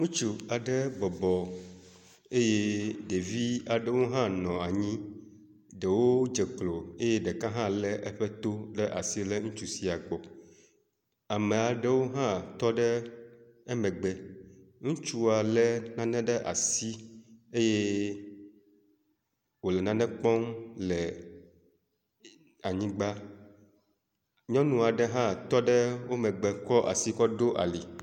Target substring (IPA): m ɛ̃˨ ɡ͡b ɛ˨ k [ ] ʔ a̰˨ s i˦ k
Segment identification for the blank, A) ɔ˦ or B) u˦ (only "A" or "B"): A